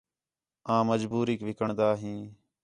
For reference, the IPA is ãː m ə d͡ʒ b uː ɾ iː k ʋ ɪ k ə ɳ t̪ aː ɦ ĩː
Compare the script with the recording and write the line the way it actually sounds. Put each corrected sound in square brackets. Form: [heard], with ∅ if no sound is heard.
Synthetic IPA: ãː m ə d͡ʒ b uː ɾ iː k ʋ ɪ k ə ɳ [d̪] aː ɦ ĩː